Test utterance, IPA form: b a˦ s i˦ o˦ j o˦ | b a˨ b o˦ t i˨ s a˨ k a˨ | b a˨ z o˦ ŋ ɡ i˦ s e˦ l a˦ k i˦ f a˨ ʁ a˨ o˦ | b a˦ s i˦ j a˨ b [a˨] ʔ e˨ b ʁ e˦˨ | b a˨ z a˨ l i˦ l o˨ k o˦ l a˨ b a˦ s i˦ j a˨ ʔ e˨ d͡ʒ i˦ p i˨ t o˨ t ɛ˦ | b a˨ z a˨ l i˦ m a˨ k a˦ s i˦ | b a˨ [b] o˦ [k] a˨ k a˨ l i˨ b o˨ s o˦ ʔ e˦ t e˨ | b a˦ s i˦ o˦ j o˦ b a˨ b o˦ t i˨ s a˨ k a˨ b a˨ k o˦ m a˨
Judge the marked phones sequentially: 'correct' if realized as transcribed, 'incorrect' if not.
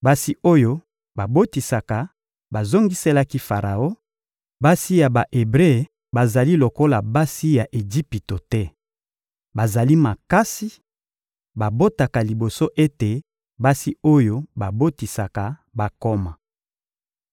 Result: correct, correct, incorrect

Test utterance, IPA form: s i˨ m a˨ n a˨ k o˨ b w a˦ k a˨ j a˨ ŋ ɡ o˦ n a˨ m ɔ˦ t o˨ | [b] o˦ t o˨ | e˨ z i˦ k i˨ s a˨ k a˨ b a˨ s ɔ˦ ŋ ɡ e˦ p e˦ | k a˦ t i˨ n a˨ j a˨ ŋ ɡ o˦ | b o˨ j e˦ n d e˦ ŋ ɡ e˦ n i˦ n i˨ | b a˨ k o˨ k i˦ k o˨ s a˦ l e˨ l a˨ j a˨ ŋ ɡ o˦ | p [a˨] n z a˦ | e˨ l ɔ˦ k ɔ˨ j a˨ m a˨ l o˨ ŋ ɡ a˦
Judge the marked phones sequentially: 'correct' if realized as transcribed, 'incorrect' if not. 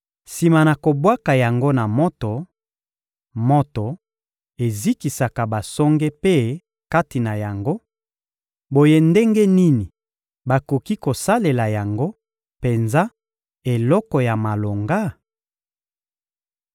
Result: incorrect, incorrect

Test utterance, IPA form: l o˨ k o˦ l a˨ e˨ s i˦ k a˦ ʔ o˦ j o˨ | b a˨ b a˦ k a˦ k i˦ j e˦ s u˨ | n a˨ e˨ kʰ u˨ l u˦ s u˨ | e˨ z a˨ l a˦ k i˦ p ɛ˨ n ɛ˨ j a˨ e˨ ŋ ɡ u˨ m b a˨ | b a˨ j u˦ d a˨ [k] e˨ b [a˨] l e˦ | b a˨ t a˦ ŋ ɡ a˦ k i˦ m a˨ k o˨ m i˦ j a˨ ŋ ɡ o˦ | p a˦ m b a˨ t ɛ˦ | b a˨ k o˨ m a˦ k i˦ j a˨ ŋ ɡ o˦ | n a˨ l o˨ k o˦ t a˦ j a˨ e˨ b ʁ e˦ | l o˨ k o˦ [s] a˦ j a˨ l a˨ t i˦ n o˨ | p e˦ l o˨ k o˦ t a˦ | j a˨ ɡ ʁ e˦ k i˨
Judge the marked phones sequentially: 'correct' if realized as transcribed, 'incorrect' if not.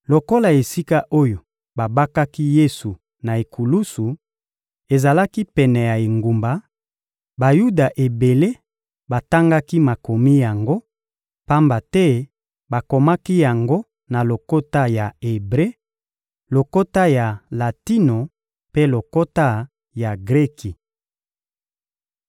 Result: incorrect, incorrect, incorrect

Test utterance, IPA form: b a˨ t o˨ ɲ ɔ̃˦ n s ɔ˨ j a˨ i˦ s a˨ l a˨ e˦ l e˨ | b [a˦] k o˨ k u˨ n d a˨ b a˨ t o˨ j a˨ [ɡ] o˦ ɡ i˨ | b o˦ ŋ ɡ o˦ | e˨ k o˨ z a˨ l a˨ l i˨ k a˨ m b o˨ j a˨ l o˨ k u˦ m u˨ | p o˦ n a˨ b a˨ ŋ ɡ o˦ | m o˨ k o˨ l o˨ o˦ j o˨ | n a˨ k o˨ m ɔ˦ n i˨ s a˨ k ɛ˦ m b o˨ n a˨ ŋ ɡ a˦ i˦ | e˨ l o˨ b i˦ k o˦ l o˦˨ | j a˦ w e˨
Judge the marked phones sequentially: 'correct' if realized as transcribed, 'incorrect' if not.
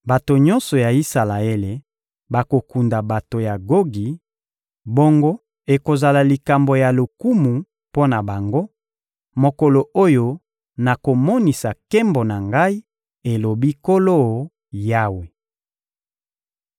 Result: incorrect, correct

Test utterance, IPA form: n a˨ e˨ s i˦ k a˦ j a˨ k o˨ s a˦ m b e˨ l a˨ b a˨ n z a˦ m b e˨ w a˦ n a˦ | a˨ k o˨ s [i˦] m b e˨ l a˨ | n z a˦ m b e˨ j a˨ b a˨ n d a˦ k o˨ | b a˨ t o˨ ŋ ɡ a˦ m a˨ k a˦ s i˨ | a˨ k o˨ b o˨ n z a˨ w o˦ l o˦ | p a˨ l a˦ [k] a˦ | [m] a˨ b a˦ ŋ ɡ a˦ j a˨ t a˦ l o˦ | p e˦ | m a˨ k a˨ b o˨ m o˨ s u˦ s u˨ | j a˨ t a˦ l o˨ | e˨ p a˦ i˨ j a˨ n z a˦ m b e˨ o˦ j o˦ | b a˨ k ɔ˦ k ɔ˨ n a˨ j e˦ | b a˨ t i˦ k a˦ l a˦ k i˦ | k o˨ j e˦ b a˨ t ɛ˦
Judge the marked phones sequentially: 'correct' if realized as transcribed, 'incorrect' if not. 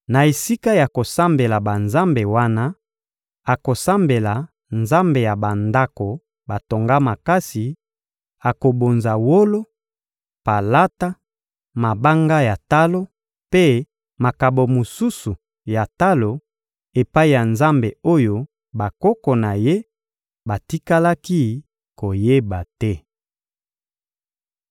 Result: incorrect, incorrect, correct

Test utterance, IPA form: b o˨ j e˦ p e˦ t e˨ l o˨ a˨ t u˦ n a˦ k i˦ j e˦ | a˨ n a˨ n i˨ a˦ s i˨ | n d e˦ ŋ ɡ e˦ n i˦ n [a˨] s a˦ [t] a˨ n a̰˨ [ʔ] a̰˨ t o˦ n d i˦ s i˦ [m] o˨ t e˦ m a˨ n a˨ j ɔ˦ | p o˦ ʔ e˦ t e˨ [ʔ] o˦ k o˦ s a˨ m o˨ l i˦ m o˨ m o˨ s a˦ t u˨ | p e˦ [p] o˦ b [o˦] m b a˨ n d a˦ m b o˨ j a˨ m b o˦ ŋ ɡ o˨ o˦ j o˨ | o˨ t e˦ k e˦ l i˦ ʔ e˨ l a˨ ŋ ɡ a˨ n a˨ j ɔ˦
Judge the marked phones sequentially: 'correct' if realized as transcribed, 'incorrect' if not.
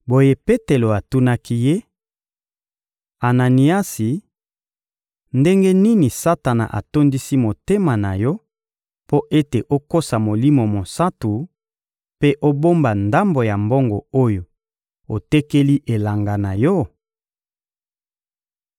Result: incorrect, correct, correct, correct, correct, incorrect, correct

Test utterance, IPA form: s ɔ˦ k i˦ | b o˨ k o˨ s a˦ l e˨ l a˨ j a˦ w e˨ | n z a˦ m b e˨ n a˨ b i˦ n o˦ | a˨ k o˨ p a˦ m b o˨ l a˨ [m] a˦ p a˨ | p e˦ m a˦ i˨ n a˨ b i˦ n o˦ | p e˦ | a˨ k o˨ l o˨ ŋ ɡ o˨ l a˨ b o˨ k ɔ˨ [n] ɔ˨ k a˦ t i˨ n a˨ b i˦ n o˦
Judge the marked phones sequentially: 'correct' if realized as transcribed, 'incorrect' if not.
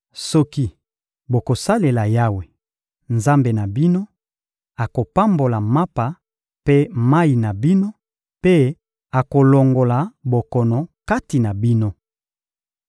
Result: correct, correct

